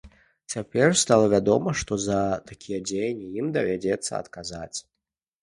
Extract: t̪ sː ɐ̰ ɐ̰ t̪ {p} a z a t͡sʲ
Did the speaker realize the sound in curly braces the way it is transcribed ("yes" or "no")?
no